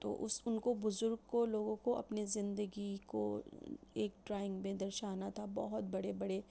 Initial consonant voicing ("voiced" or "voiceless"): voiceless